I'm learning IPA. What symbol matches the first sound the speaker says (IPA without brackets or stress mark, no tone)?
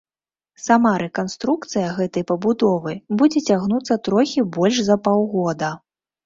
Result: s